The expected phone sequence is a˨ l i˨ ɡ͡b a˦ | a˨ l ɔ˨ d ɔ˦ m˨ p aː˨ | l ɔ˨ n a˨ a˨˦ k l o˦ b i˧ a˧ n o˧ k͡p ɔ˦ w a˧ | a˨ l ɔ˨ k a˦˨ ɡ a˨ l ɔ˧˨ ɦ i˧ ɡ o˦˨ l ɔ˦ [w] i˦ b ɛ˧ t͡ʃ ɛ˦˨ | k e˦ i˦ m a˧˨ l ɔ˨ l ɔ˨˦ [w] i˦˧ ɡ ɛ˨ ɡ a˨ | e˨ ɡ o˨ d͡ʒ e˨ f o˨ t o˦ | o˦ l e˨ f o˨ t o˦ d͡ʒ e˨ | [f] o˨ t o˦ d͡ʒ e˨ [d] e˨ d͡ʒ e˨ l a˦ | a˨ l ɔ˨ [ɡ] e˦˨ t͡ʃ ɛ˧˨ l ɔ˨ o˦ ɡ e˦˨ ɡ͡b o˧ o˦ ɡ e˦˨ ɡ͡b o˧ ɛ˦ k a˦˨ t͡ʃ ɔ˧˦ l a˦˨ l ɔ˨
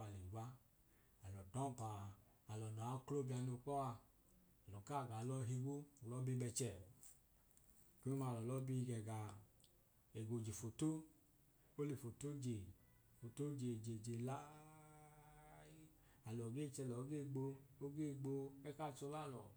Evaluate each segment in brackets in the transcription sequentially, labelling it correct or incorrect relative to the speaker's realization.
incorrect: b, incorrect: b, correct, incorrect: d͡ʒ, correct

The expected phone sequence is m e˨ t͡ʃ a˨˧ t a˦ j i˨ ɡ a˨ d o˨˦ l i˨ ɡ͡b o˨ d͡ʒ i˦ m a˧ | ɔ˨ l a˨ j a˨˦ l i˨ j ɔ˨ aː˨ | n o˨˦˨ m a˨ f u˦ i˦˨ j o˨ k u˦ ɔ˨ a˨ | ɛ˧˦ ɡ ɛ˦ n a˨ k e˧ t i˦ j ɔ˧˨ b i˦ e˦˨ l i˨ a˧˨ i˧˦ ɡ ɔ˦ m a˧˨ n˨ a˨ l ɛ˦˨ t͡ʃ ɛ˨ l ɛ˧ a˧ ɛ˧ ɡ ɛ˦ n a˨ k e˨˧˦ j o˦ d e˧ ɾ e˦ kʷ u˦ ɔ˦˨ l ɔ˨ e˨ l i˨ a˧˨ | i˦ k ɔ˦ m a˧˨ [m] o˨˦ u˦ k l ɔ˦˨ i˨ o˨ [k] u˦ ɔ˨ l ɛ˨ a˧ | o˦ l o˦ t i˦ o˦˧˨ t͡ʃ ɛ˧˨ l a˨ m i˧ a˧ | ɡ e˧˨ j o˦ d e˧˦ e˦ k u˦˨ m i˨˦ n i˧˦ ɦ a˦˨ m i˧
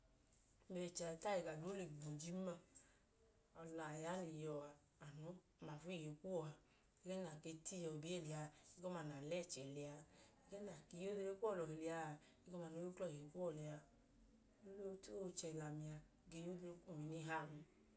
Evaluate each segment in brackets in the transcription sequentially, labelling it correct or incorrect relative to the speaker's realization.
incorrect: n, correct

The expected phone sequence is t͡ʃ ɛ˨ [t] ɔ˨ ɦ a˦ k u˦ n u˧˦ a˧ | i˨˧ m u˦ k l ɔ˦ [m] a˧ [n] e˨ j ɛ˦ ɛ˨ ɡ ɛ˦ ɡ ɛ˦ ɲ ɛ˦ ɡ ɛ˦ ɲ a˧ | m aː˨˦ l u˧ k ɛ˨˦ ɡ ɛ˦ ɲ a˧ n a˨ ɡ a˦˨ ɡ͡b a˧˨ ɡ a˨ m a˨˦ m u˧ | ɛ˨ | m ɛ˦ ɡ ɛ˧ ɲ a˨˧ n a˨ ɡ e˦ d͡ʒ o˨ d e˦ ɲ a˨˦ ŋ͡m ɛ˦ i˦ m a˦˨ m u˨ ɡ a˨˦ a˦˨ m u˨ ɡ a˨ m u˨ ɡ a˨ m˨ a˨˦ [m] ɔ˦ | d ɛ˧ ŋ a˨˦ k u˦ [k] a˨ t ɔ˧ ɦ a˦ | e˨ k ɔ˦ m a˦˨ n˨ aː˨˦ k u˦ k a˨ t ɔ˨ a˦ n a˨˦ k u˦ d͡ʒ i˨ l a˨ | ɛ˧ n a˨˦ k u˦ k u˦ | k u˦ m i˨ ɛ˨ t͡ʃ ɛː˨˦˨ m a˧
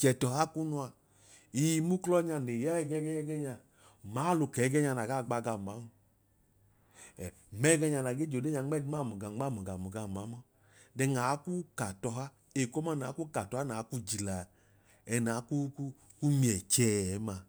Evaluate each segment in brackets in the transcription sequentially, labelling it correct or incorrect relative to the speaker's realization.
correct, incorrect: ɲ, correct, correct, correct

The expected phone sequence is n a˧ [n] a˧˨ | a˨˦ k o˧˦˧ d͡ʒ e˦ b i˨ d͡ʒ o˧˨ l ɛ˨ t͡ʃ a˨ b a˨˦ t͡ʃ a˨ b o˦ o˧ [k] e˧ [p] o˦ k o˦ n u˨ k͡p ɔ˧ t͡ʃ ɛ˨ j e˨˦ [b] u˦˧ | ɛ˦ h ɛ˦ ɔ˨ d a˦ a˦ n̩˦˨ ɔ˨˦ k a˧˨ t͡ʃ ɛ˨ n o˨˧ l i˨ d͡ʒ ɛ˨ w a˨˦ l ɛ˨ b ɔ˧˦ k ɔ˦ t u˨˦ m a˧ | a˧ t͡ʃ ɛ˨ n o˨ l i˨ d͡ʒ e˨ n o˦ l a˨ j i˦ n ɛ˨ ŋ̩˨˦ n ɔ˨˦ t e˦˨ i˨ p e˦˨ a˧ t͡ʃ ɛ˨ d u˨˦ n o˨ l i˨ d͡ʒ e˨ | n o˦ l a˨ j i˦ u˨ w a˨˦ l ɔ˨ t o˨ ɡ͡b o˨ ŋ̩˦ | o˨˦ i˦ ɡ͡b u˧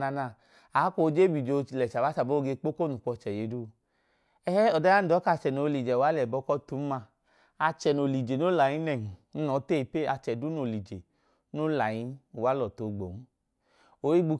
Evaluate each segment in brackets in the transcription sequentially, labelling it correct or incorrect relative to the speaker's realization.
correct, incorrect: ɡ, incorrect: k͡p, incorrect: d

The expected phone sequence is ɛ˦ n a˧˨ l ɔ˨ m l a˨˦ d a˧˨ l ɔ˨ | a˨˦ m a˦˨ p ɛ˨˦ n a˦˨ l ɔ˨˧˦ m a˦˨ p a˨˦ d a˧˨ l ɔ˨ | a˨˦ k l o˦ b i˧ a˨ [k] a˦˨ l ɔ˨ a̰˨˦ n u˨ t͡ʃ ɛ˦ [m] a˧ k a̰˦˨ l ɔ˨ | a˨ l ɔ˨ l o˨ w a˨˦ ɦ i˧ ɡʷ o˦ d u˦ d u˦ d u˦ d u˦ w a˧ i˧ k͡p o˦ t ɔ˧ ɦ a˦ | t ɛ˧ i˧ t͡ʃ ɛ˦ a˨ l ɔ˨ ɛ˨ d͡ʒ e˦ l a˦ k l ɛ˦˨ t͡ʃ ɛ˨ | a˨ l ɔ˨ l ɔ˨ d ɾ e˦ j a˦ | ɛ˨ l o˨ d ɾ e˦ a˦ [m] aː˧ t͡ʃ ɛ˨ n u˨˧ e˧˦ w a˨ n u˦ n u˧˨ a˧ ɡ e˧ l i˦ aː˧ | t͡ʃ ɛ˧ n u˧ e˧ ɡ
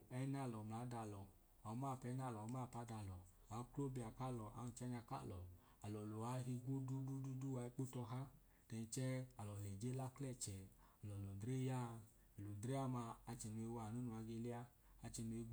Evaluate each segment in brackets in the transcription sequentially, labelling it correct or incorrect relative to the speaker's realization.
correct, incorrect: ɲ, correct

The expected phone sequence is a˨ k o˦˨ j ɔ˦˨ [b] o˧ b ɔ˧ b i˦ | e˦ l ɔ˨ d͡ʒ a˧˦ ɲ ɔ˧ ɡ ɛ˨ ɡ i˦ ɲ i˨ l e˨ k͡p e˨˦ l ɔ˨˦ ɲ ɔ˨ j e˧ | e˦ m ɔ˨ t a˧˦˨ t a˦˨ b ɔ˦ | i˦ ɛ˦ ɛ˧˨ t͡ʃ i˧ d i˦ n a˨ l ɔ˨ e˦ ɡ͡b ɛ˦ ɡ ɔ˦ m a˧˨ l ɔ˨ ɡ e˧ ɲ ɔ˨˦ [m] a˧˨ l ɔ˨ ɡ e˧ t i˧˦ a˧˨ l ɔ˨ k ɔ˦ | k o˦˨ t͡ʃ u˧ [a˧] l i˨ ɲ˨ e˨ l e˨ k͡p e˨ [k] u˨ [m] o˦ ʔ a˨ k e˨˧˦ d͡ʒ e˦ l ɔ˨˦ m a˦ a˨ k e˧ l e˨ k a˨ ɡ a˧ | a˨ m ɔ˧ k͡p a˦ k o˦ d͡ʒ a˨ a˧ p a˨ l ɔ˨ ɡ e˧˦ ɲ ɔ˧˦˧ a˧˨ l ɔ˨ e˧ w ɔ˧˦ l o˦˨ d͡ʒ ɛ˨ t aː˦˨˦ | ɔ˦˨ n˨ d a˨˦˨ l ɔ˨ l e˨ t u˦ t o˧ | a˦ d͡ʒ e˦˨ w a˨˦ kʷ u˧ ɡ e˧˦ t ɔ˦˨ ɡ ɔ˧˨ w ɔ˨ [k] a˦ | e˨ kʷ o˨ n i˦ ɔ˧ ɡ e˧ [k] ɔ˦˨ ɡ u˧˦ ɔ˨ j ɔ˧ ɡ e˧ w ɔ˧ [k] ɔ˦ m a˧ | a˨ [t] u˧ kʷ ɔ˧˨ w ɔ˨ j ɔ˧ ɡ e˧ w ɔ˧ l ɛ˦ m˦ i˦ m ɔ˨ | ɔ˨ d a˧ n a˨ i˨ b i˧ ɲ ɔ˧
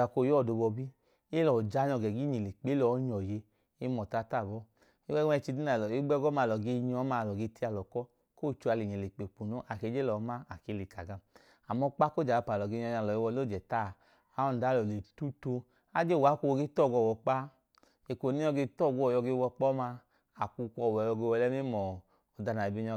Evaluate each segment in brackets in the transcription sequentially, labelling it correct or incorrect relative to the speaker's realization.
incorrect: d, correct, correct, incorrect: k͡p, incorrect: n, incorrect: k͡p, incorrect: t, incorrect: k͡p, incorrect: k

